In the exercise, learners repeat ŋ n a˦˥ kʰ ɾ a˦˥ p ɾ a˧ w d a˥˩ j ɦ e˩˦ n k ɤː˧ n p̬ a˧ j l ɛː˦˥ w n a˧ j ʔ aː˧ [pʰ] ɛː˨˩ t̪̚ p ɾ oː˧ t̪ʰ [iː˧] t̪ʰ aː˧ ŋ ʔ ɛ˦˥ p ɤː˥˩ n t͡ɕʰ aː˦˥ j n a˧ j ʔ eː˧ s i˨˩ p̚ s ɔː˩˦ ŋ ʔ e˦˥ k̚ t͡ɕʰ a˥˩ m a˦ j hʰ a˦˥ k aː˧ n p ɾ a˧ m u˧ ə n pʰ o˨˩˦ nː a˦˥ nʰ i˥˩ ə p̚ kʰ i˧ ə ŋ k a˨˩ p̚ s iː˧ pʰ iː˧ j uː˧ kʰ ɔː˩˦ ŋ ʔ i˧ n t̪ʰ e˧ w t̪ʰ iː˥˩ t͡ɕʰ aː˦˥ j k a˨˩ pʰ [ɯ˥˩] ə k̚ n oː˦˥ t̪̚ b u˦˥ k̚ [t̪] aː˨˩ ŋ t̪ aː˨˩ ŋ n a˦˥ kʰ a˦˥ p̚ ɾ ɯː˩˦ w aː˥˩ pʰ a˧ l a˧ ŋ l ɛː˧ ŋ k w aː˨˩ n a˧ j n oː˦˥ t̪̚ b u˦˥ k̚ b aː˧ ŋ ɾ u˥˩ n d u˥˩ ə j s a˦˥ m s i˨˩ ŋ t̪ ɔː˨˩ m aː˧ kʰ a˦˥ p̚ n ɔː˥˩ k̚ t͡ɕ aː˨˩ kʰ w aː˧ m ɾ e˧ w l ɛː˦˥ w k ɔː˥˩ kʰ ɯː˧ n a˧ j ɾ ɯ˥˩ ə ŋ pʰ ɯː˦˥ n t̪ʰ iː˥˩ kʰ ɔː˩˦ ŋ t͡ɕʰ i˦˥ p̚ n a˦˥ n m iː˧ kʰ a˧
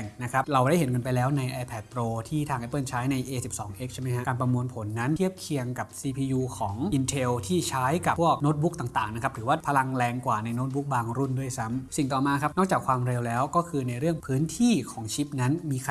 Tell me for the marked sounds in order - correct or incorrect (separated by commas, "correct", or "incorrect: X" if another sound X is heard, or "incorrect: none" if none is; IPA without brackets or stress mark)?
correct, incorrect: iː˥˩, incorrect: u˥˩, correct